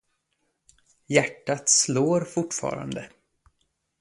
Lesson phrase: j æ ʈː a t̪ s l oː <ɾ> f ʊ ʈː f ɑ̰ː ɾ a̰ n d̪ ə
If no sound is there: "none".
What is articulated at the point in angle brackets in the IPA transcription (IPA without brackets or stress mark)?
ɾ